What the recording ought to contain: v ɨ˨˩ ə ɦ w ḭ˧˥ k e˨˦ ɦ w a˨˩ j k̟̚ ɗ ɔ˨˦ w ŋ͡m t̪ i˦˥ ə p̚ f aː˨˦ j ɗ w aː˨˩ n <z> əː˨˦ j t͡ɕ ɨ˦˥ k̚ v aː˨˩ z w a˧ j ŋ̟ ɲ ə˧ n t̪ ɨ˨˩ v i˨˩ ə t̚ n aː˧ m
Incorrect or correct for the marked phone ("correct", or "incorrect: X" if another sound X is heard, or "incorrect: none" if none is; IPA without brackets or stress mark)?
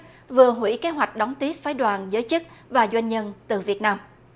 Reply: correct